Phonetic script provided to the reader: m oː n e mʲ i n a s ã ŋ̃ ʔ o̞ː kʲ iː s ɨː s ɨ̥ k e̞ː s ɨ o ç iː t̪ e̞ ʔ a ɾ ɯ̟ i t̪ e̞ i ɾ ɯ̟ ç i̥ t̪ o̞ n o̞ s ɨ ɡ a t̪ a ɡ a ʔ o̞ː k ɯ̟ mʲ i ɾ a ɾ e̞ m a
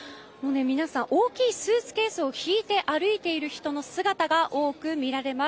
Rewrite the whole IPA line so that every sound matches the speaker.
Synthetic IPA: m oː n e mʲ i n a s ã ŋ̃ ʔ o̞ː kʲ iː s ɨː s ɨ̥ k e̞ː s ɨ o ç iː t̪ e̞ ʔ a ɾ ɯ̟ i t̪ e̞ i ɾ ɯ̟ ç i̥ t̪ o̞ n o̞ s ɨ ɡ a t̪ a ɡ a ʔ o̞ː k ɯ̟ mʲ i ɾ a ɾ e̞ m a